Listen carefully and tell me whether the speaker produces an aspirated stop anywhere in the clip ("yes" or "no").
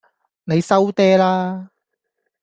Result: no